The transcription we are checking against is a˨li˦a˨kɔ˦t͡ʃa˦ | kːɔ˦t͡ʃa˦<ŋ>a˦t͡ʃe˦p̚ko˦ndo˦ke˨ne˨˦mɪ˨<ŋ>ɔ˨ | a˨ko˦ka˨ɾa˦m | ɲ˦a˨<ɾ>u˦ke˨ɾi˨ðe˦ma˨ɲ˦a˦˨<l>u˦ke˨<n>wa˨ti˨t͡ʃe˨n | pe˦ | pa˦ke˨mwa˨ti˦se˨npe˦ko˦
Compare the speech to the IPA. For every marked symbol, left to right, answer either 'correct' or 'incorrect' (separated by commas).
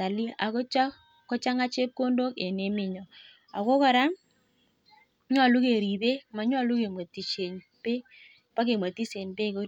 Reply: correct, incorrect, incorrect, correct, incorrect